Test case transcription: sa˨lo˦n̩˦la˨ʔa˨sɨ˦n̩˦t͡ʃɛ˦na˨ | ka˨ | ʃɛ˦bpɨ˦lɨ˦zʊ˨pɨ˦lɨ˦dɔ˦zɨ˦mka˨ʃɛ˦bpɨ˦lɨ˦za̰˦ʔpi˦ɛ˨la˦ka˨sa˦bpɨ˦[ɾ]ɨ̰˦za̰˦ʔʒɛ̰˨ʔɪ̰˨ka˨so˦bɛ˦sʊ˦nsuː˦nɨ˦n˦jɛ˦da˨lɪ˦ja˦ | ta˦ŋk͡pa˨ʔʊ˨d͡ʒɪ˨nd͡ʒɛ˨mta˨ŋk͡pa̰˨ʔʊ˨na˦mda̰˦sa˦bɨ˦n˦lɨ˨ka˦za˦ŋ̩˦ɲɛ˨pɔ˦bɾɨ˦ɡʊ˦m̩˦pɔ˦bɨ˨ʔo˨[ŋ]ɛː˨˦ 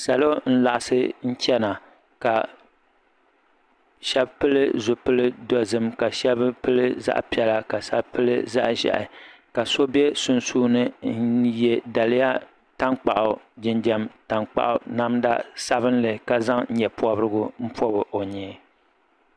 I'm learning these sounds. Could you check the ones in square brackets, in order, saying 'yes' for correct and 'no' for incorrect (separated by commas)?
no, no